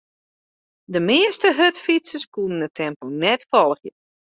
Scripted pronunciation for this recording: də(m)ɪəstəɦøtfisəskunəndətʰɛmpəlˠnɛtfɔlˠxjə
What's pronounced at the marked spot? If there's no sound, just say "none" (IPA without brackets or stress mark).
m